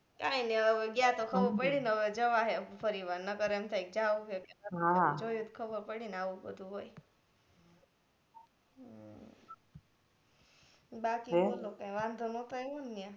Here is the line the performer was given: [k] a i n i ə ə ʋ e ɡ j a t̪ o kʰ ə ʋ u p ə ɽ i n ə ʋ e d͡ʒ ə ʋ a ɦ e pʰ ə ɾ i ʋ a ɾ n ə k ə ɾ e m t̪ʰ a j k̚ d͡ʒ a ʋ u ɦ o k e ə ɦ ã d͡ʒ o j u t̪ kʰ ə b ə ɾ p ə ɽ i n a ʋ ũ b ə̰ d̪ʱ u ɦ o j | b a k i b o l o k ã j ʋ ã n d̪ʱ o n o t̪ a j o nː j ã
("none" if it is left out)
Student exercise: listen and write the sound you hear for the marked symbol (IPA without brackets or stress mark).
k